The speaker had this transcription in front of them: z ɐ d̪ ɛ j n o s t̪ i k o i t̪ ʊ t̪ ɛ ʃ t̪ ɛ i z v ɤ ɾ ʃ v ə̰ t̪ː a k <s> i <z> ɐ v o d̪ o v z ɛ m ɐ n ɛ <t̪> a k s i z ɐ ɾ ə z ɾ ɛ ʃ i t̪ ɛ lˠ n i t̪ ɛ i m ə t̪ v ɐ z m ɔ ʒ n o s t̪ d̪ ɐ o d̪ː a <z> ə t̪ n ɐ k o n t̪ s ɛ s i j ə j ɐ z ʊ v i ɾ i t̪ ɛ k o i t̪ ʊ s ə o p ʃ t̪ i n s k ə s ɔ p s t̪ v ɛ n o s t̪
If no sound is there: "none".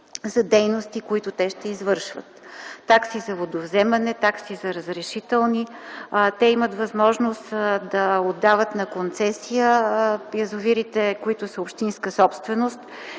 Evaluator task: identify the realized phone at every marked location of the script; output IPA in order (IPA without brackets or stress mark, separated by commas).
s, z, t̪, v